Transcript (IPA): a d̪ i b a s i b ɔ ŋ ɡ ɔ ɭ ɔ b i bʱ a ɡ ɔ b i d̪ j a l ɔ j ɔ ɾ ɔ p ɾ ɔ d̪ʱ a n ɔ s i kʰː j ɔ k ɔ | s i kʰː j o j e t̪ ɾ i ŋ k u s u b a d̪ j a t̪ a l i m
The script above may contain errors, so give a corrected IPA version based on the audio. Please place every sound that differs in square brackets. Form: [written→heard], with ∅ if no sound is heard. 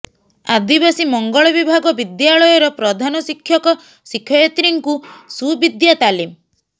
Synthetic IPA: a d̪ i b a s i [b→m] ɔ ŋ ɡ ɔ ɭ ɔ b i bʱ a ɡ ɔ b i d̪ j a [l→ɭ] ɔ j ɔ ɾ ɔ p ɾ ɔ d̪ʱ a n ɔ s i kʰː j ɔ k ɔ | s i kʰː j [o→ɔ] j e t̪ ɾ i ŋ k u s u b [a→i] d̪ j a t̪ a l i m